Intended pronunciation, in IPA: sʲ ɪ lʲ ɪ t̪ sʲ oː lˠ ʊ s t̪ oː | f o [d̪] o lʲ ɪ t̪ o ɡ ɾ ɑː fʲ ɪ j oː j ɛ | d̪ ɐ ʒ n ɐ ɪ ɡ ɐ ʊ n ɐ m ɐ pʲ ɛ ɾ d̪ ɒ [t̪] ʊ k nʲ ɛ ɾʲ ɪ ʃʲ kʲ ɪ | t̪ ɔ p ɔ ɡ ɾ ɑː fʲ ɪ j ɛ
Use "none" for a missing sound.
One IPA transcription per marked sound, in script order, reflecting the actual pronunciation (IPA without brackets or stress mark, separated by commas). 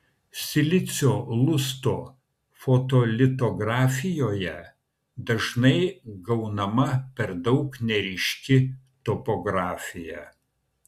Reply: t̪, none